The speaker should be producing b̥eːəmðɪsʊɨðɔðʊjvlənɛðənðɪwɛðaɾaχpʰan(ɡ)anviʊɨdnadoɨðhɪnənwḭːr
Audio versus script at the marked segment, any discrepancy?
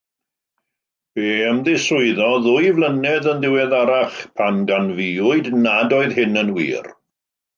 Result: no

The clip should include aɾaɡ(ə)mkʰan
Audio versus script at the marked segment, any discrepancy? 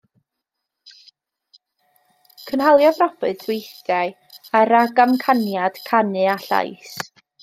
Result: yes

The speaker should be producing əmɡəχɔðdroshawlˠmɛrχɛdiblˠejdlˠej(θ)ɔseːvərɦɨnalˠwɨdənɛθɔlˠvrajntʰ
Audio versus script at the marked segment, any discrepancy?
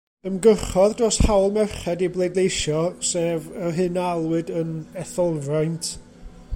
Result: yes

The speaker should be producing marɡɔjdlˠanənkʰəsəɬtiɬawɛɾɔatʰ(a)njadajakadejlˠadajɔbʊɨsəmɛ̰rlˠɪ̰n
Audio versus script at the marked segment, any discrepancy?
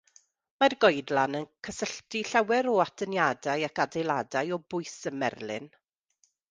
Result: yes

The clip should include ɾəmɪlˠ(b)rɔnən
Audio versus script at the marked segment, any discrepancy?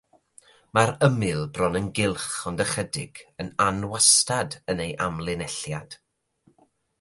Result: no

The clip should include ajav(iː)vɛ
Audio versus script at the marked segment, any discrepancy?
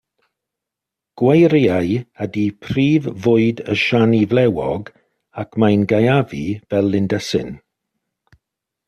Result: yes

